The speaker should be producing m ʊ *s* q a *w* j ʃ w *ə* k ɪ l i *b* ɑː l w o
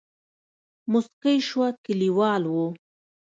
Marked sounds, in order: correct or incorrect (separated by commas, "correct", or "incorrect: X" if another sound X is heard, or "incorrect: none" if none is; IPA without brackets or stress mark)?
correct, incorrect: none, incorrect: a, incorrect: w